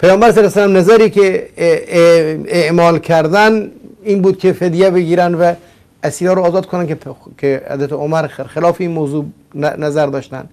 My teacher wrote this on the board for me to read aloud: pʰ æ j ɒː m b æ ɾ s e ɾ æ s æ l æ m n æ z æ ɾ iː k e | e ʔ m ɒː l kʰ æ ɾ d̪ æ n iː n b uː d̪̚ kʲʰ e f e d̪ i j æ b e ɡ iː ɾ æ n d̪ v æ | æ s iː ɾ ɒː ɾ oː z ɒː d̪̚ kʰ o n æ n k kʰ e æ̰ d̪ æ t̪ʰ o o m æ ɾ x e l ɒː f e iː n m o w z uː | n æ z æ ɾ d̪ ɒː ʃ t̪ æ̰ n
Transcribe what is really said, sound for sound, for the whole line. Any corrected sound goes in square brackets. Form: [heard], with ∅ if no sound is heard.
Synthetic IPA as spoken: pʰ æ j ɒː m b æ ɾ s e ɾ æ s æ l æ m n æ z æ ɾ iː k e | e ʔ m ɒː l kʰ æ ɾ d̪ æ n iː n b uː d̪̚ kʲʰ e f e d̪ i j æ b e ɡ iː ɾ æ n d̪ v æ | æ s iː ɾ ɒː ɾ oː z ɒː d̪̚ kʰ o n æ n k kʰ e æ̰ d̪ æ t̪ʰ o o m æ ɾ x e l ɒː f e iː n m o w z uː | n æ z æ ɾ d̪ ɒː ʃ t̪ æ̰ n